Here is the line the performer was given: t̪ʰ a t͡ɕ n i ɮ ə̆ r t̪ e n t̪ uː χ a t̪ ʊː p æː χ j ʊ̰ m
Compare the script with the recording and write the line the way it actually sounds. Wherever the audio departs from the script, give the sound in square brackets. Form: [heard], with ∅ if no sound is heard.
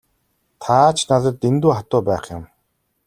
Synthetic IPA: t̪ʰ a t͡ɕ n [a] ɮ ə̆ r t̪ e n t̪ uː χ a t̪ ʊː p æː χ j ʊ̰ m